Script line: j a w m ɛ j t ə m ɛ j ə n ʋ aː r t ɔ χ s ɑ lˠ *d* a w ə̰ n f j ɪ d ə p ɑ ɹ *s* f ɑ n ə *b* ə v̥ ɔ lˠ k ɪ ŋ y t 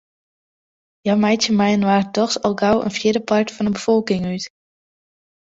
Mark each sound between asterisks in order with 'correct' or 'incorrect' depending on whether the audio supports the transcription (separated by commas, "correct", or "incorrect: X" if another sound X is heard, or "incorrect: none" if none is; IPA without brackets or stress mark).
incorrect: ɡ, incorrect: t, correct